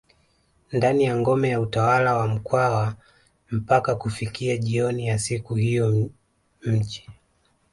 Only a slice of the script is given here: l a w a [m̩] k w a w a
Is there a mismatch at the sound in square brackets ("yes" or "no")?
no